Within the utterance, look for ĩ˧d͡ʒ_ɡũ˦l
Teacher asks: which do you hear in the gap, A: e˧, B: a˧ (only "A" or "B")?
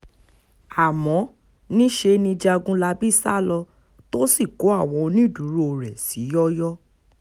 B